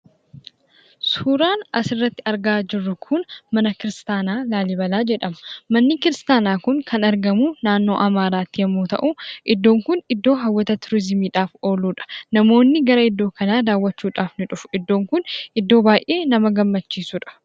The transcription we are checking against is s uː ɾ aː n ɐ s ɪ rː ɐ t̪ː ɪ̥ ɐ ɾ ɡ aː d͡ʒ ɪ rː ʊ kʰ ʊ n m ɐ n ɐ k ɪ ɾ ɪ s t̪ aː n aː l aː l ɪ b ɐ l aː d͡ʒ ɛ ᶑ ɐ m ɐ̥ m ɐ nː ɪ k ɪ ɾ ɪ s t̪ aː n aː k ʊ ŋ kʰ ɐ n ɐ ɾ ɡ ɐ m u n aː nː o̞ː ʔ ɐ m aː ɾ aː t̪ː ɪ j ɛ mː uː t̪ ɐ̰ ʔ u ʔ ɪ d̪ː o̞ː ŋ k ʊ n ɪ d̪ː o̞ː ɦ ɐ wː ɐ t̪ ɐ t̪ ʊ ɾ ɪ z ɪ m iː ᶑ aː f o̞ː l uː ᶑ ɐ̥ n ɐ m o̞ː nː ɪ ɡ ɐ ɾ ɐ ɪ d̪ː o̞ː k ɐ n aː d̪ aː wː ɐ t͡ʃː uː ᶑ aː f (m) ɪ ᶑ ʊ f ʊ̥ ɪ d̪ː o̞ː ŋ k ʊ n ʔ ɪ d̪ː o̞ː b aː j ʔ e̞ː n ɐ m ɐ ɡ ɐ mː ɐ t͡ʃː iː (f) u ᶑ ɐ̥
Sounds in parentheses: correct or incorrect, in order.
incorrect, incorrect

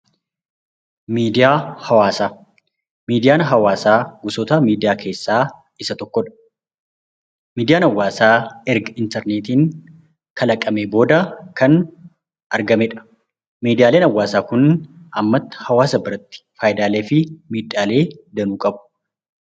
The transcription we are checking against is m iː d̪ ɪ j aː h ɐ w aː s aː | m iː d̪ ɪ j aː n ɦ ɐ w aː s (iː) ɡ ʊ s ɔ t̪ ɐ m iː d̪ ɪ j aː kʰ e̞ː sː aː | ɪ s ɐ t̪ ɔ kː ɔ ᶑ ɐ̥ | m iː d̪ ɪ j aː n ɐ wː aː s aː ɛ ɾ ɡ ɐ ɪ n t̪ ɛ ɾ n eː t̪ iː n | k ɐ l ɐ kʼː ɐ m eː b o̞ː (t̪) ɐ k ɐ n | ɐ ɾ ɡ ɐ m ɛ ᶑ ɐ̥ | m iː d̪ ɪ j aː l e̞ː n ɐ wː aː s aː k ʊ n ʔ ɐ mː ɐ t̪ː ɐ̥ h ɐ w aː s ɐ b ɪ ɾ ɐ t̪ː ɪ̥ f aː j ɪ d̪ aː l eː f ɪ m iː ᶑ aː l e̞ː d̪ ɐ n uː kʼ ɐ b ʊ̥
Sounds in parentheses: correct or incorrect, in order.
incorrect, incorrect

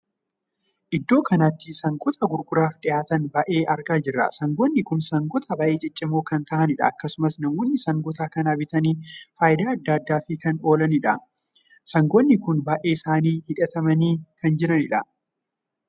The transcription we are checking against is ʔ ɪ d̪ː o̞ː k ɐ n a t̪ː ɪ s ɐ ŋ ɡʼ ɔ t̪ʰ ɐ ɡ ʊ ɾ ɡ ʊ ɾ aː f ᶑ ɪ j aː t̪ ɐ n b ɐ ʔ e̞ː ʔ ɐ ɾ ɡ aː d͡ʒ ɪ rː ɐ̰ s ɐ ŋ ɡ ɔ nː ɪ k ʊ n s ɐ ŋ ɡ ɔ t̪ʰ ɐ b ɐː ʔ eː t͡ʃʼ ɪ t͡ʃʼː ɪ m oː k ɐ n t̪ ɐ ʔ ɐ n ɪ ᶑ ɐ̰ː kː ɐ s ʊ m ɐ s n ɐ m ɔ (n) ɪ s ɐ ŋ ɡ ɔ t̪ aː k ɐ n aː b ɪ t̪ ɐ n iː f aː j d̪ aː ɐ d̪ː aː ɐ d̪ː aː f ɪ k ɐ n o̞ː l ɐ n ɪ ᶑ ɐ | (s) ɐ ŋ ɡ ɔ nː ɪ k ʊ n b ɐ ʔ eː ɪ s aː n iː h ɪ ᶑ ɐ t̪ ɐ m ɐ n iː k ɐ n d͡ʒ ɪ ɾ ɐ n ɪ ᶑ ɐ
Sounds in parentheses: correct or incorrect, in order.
incorrect, correct

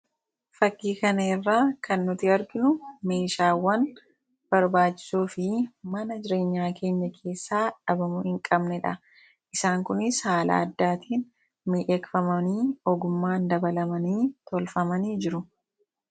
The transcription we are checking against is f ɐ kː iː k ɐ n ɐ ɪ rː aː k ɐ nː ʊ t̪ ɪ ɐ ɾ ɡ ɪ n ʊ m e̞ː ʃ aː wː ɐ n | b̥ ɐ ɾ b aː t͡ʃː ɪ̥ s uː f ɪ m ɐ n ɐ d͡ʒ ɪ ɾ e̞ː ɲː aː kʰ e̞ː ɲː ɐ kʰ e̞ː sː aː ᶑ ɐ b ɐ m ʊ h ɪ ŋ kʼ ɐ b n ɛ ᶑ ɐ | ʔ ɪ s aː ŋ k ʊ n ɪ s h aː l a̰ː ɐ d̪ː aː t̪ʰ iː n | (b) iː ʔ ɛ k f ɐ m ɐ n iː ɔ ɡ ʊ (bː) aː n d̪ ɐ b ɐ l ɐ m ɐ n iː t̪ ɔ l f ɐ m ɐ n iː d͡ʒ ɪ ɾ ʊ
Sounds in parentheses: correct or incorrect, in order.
incorrect, incorrect

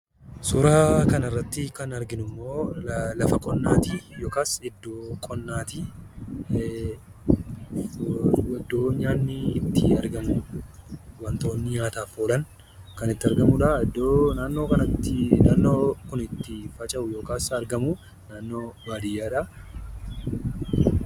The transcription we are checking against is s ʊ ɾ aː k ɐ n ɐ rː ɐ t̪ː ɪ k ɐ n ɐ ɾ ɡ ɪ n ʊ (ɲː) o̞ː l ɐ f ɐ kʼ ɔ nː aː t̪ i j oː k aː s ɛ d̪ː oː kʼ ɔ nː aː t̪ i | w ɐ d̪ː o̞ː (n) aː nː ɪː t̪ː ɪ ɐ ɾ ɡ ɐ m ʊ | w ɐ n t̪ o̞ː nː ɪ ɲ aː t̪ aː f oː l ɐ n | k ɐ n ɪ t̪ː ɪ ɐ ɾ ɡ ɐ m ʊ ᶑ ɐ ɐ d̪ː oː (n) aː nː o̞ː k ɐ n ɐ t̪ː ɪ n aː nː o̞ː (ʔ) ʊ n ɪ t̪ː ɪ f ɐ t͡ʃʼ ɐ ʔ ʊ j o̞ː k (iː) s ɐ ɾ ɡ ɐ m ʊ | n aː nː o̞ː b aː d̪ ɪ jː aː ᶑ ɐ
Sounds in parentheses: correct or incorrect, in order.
incorrect, incorrect, correct, incorrect, incorrect

